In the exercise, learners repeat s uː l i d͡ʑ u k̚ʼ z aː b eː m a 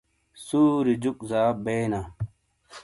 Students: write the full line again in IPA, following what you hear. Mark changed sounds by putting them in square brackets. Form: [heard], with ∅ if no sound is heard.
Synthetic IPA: s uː [ɾ] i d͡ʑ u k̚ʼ z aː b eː [n] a